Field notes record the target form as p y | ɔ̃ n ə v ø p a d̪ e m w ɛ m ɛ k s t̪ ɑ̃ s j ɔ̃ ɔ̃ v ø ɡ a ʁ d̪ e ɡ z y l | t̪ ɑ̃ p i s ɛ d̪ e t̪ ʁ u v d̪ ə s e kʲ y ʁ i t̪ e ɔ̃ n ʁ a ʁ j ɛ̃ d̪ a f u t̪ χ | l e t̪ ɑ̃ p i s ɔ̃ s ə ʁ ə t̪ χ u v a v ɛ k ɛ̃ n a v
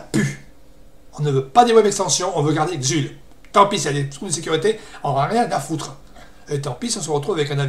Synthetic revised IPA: p y | ɔ̃ n ə v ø p a d̪ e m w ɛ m ɛ k s t̪ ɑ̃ s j ɔ̃ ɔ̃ v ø ɡ a ʁ d̪ e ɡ z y l | t̪ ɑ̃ p i s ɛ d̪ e t̪ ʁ u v d̪ ə s e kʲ y ʁ i t̪ e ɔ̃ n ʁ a ʁ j ɛ̃ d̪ a f u t̪ χ | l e t̪ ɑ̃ p i s ɔ̃ s ə ʁ ə t̪ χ u v a v ɛ k ɛ̃ n a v